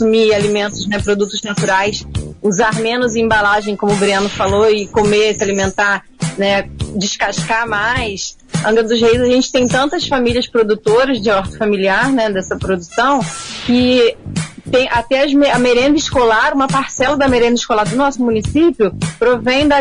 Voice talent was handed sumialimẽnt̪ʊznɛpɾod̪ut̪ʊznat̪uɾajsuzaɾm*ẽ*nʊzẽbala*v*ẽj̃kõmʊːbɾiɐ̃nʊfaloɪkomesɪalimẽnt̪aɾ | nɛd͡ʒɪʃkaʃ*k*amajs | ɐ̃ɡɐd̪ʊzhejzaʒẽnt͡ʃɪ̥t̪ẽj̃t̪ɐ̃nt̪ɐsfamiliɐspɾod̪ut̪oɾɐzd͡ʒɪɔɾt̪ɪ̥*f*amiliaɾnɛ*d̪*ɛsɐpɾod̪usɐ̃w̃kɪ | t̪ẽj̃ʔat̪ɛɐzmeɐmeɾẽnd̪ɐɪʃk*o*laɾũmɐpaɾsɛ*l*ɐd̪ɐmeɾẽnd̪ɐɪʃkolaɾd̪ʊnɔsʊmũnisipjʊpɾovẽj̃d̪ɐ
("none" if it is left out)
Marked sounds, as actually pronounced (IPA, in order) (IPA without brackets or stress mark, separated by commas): ẽ, ʒ, k, f, d̪, o, l